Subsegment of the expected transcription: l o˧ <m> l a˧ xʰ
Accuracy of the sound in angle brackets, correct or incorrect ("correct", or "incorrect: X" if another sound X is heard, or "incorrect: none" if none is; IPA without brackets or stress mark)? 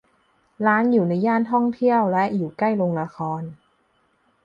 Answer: incorrect: ŋ